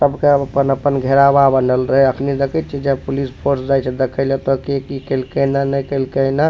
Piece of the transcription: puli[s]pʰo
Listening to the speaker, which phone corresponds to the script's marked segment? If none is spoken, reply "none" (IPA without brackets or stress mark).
s